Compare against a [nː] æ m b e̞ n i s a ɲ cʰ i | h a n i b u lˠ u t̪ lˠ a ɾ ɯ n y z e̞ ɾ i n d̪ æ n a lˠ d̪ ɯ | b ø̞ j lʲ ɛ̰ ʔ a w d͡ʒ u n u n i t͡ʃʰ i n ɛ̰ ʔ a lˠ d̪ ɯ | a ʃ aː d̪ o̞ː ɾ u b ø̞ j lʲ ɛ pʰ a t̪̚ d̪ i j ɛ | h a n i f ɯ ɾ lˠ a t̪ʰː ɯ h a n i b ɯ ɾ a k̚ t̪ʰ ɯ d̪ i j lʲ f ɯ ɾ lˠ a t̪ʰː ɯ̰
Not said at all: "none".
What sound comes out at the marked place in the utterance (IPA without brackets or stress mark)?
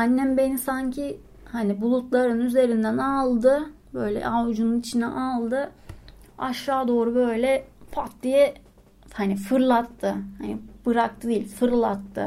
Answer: nː